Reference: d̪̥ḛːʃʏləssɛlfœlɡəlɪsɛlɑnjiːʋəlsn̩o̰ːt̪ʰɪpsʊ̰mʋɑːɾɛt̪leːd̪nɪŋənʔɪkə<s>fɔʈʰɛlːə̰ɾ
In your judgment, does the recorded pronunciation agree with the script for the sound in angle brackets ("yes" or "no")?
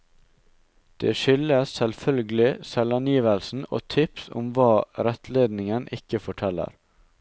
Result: no